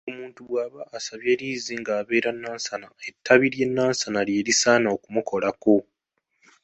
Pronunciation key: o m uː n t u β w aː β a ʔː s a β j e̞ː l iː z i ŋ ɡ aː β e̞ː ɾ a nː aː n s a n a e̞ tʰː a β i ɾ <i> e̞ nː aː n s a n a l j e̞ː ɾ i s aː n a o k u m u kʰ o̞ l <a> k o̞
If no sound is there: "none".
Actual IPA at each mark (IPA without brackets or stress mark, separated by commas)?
j, a